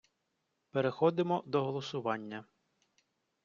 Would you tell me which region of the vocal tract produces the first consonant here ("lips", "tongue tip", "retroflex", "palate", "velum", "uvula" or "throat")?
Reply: lips